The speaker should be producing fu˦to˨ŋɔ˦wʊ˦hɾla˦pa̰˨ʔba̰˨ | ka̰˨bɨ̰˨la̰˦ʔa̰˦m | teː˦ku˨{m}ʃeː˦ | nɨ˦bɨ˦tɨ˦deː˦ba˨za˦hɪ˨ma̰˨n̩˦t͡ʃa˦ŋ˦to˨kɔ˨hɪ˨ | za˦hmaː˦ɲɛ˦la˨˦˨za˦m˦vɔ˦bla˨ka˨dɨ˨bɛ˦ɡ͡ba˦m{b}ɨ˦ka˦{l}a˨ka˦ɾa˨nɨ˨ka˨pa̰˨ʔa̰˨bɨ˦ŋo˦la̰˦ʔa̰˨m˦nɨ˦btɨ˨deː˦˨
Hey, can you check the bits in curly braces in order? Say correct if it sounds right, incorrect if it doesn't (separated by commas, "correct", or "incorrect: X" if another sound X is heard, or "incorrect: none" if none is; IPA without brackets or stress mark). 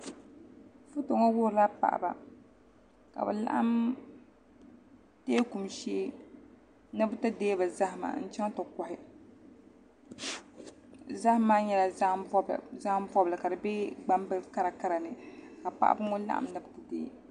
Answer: correct, correct, incorrect: ɾ